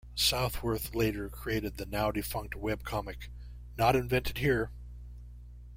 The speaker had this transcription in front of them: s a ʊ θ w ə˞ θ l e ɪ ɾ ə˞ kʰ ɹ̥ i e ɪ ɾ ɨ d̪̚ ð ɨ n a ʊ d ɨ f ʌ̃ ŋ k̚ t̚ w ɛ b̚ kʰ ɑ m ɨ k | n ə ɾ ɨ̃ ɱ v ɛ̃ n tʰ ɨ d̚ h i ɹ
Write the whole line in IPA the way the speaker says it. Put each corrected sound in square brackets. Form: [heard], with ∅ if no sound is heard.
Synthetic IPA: s a ʊ θ w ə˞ θ l e ɪ ɾ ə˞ kʰ ɹ̥ i e ɪ ɾ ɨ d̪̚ ð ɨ n a ʊ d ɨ f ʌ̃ ŋ k̚ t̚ w ɛ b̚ kʰ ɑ m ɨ k | n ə ɾ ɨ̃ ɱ v ɛ̃ n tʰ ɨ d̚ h i ɹ